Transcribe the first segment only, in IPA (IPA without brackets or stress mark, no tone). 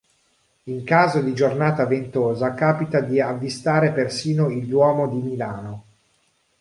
i